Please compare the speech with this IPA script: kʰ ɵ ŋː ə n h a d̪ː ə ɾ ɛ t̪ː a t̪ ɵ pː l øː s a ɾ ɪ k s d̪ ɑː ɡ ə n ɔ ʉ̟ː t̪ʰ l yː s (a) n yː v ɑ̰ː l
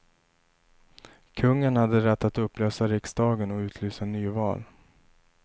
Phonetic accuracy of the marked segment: correct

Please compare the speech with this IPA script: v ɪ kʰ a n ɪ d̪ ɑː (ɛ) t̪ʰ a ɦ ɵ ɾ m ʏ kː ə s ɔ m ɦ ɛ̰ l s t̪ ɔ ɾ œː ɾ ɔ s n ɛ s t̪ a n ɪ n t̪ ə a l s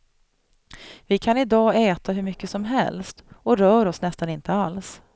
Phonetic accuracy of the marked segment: incorrect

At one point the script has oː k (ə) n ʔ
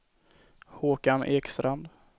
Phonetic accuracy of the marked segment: incorrect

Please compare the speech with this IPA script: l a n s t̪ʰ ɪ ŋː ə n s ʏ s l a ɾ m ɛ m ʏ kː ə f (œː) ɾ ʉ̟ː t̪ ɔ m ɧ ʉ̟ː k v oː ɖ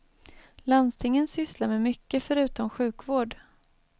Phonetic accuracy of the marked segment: incorrect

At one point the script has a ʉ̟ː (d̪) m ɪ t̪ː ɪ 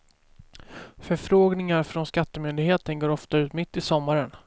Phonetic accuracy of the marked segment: incorrect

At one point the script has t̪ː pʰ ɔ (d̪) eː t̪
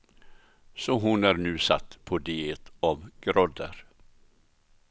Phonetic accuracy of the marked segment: correct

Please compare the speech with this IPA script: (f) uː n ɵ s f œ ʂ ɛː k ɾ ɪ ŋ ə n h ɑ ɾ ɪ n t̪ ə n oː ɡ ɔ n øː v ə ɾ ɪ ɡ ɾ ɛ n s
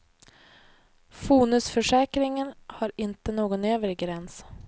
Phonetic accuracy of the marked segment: correct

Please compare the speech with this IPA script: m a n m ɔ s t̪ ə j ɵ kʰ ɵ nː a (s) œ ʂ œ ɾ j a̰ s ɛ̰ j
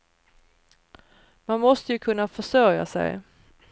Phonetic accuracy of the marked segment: incorrect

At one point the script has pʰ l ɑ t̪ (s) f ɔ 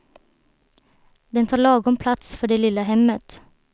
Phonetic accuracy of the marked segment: correct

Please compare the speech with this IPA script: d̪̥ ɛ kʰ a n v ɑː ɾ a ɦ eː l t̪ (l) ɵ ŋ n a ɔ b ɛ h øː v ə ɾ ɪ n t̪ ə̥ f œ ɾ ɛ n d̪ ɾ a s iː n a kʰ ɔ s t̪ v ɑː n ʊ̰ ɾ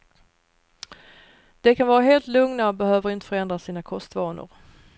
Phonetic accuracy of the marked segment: correct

